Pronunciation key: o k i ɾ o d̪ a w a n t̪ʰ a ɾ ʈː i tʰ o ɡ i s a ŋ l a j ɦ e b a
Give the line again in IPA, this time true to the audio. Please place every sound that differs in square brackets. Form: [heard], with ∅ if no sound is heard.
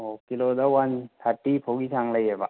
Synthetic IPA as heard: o k i [l] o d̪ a w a n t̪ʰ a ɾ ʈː i [pʰ] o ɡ i s a ŋ l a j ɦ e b a